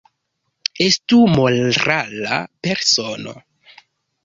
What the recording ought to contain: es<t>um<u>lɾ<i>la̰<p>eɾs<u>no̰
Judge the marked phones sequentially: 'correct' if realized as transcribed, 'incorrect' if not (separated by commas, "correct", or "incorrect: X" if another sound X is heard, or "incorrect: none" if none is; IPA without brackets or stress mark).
correct, incorrect: o, incorrect: a, correct, incorrect: o